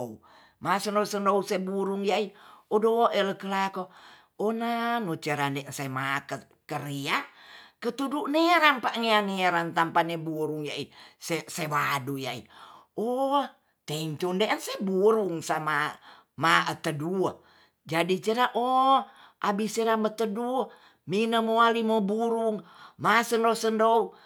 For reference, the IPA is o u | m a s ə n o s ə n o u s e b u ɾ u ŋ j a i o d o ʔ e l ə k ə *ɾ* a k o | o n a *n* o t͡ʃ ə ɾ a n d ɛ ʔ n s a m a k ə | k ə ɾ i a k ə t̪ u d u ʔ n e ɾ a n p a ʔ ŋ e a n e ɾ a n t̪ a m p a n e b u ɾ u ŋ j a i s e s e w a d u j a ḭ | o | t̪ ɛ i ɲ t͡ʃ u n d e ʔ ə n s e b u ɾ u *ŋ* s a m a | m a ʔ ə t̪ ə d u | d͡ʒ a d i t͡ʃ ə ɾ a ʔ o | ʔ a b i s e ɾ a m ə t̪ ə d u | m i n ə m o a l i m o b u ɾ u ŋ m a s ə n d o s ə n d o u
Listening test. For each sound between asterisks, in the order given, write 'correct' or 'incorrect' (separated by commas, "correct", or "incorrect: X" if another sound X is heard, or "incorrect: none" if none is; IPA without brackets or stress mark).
incorrect: l, correct, correct